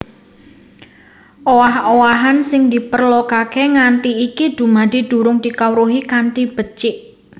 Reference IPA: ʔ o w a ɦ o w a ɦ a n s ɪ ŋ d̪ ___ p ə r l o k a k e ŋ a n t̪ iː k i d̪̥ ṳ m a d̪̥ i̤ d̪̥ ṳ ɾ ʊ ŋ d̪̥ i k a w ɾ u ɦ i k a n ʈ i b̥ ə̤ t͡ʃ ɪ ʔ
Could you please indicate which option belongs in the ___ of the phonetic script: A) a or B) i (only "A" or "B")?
B